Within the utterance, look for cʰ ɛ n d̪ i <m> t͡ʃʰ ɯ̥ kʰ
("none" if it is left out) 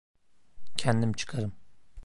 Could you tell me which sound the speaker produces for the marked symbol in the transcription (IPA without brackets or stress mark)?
m